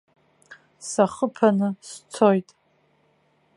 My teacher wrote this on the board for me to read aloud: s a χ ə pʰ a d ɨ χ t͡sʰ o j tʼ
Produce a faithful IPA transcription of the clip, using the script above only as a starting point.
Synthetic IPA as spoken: s a χ ə pʰ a n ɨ s t͡sʰ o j tʼ